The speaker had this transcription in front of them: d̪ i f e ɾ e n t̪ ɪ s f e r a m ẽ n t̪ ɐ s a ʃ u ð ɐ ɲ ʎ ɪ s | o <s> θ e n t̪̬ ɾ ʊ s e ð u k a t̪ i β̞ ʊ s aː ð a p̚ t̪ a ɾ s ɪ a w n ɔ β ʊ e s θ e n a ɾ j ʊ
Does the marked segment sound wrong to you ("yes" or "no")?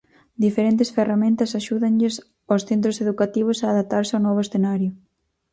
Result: no